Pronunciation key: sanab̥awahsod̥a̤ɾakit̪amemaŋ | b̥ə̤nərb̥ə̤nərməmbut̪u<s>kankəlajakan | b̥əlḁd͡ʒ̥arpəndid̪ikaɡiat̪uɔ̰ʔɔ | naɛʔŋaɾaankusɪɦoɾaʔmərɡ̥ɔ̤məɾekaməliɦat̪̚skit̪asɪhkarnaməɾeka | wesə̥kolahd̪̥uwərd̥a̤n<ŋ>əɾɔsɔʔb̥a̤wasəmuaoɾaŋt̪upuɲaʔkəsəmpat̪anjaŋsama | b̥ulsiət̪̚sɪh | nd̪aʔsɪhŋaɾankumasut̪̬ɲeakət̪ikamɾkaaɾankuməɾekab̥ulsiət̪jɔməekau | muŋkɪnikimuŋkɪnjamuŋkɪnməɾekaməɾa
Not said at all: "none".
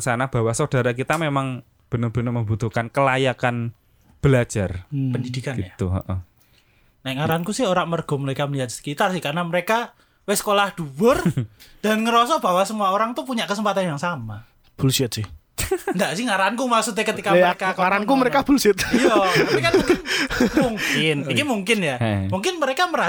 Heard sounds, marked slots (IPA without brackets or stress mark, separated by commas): h, ŋ